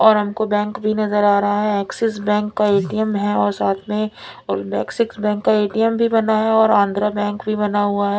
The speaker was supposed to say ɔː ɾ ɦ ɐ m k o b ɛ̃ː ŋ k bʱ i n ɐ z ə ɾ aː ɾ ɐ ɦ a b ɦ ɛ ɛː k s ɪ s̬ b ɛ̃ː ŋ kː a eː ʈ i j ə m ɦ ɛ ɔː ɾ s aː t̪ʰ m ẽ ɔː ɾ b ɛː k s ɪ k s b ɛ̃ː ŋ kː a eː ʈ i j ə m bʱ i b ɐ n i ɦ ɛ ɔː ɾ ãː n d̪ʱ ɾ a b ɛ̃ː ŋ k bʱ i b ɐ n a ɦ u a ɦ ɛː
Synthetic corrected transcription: ɔː ɾ ɦ ɐ m k o b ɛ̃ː ŋ k bʱ i n ɐ z ə ɾ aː ɾ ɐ ɦ a ɦ ɛ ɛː k s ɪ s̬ b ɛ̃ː ŋ kː a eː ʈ i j ə m ɦ ɛ ɔː ɾ s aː t̪ʰ m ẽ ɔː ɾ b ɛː k s ɪ k s b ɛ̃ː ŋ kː a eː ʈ i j ə m bʱ i b ɐ n a ɦ ɛ ɔː ɾ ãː n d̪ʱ ɾ a b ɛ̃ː ŋ k bʱ i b ɐ n a ɦ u a ɦ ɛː

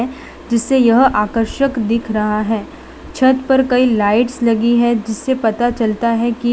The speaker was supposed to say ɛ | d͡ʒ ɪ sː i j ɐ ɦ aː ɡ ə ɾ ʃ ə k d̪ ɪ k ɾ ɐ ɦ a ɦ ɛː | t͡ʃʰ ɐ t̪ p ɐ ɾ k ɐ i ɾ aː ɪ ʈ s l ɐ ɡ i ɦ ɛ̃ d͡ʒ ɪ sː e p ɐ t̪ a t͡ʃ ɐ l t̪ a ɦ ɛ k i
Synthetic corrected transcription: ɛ | d͡ʒ ɪ sː e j ɐ ɦ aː k ə ɾ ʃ ə k d̪ ɪ kʰ ɾ ɐ ɦ a ɦ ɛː | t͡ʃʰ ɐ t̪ p ɐ ɾ k ɐ i l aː ɪ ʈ s l ɐ ɡ i ɦ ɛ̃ d͡ʒ ɪ sː e p ɐ t̪ a t͡ʃ ɐ l t̪ a ɦ ɛ k i

